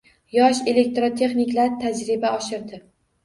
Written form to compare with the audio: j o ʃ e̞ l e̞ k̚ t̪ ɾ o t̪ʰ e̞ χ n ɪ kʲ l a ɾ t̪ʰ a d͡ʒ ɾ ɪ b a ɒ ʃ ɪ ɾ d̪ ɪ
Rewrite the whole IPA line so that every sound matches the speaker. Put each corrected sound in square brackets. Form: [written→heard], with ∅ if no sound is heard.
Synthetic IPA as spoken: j [o→ɒ] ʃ e̞ l e̞ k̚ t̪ ɾ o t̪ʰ e̞ χ n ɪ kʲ l a ɾ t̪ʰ a d͡ʒ ɾ ɪ b a ɒ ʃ ɪ ɾ d̪ ɪ